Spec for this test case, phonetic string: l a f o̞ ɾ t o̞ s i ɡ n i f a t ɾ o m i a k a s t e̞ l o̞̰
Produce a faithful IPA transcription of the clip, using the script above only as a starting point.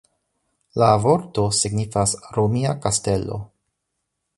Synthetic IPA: l a v o̞ ɾ t o̞ s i ɡ n i f a s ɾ o m i a k a s t e̞ l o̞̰